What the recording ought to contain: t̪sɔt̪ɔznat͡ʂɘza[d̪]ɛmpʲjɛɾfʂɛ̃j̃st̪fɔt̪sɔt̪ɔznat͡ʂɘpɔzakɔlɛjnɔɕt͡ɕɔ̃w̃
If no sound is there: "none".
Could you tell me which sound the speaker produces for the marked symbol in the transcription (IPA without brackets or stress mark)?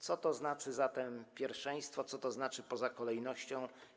t̪